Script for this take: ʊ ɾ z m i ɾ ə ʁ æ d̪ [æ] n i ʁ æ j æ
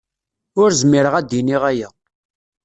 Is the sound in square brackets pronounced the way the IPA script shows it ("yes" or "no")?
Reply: no